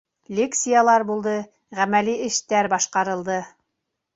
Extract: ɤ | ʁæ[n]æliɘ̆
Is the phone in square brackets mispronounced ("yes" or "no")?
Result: yes